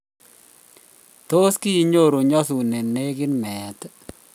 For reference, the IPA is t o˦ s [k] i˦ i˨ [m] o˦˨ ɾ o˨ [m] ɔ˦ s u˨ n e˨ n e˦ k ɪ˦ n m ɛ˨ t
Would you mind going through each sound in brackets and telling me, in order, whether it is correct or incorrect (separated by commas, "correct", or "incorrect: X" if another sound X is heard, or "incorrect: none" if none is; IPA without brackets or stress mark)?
correct, incorrect: ɲ, incorrect: ɲ